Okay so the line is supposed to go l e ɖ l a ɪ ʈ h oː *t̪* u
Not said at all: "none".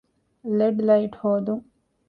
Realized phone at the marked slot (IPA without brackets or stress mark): d̪